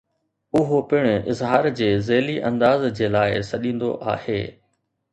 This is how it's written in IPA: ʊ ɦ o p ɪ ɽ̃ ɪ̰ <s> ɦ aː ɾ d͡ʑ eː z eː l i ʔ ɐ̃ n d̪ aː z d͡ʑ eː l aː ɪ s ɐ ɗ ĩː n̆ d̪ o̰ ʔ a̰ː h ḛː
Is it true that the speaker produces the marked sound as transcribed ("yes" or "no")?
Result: no